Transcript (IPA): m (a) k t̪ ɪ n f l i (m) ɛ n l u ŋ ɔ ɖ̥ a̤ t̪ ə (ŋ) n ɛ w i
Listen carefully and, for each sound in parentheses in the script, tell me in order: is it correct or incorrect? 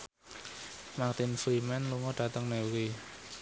correct, correct, correct

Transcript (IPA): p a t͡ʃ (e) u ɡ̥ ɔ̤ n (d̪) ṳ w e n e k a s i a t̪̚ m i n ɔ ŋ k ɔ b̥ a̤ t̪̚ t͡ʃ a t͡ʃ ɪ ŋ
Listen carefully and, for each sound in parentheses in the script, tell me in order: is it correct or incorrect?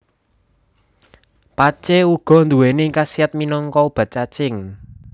correct, correct

